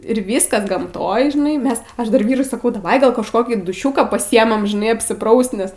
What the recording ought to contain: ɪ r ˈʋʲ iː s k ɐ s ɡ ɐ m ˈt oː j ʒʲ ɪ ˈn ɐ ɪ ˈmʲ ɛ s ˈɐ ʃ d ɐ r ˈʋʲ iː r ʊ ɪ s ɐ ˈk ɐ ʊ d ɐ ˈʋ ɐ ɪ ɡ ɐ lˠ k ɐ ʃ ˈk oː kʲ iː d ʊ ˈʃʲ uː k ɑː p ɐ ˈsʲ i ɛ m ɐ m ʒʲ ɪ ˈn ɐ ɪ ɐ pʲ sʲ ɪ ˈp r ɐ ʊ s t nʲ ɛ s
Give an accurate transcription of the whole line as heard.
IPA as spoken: ɪ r ˈʋʲ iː s k ɐ s ɡ ɐ m ˈt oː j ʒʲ ɪ ˈn ɐ ɪ ˈmʲ ɛ s ˈɐ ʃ d ɐ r ˈʋʲ iː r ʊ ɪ s ɐ ˈk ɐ ʊ d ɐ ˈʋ ɐ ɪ ɡ ɐ lˠ k ɐ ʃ ˈk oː kʲ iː d ʊ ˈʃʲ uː k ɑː p ɐ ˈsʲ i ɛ m ɐ m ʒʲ ɪ ˈn ɐ ɪ ɐ pʲ sʲ ɪ ˈp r ɐ ʊ s t nʲ ɛ s